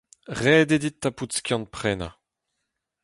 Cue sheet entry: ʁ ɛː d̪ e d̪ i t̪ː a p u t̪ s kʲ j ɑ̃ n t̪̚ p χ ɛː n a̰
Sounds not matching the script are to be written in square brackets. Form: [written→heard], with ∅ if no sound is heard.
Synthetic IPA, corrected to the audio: ʁ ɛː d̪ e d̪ i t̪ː a p u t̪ s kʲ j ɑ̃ n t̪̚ p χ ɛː n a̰